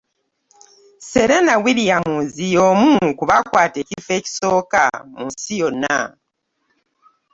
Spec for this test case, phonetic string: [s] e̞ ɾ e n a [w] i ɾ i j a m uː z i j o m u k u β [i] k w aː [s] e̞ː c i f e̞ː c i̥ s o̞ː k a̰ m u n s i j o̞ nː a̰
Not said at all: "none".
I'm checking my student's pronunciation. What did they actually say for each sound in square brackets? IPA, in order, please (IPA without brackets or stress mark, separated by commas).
s, w, a, t